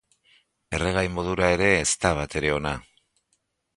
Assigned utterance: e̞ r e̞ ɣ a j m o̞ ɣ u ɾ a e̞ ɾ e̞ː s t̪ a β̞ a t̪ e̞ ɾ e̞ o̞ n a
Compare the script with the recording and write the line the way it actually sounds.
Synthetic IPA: e̞ r e̞ ɣ a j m o̞ ð u ɾ a e̞ ɾ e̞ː s t̪ a β̞ a t̪ e̞ ɾ e̞ o̞ n a